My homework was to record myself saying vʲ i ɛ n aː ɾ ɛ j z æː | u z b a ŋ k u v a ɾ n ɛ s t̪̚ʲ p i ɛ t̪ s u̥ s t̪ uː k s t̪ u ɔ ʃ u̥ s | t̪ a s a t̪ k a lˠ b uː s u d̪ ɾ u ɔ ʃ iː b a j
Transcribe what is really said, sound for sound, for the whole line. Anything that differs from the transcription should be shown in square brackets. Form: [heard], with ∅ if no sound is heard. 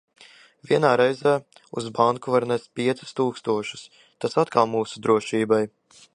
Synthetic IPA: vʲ i ɛ n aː ɾ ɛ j z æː | u z b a ŋ k u v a ɾ n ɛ s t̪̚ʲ p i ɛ t̪ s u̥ s t̪ uː k s t̪ u ɔ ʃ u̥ s | t̪ a s a t̪ k a lˠ [m] uː s u d̪ ɾ u ɔ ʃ iː b a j